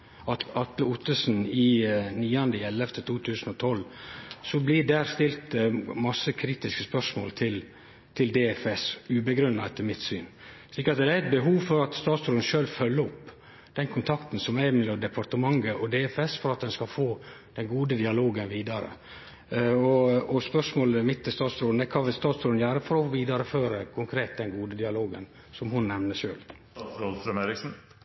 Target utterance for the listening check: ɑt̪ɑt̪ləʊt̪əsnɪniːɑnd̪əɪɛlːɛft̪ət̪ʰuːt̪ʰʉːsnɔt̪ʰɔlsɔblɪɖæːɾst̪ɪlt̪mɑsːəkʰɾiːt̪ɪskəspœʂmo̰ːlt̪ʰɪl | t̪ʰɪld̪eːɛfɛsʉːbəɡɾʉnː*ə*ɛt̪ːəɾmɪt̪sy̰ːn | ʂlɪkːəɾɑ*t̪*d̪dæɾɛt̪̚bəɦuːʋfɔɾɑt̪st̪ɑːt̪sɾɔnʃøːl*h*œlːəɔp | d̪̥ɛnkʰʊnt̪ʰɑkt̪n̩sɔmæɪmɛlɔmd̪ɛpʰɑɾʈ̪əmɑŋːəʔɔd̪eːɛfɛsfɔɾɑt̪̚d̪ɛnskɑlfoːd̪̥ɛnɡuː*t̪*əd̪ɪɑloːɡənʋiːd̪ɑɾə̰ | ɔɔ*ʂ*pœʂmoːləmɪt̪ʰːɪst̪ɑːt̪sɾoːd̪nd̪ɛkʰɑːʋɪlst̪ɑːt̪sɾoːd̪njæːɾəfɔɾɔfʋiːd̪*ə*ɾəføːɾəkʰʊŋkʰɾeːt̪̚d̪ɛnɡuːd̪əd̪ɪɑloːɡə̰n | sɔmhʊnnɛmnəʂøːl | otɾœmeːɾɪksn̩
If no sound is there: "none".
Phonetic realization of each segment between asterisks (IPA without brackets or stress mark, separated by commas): ɑ, t̪, f, d̪, s, ɑ